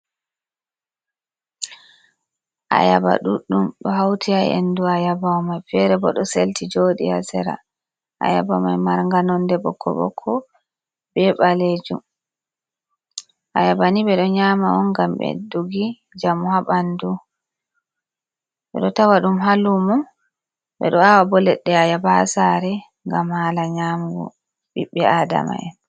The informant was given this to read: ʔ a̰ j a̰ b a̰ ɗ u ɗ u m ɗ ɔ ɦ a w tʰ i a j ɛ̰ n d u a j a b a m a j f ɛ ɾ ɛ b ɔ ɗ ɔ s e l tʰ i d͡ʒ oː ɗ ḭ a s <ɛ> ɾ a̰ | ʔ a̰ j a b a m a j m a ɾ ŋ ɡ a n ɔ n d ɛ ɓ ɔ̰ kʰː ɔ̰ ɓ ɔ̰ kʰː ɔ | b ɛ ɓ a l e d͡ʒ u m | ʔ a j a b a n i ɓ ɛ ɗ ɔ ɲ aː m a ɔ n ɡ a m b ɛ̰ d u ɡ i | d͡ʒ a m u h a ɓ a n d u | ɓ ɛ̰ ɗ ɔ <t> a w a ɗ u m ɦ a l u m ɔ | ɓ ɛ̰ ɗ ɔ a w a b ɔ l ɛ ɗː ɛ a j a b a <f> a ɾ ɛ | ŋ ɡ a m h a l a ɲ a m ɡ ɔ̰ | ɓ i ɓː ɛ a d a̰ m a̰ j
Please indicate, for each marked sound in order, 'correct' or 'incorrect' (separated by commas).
correct, correct, incorrect